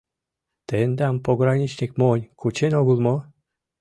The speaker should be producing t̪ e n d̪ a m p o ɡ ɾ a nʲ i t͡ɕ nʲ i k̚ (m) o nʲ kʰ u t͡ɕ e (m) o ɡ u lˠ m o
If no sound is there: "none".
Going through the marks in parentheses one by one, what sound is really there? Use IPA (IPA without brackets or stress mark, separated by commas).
m, n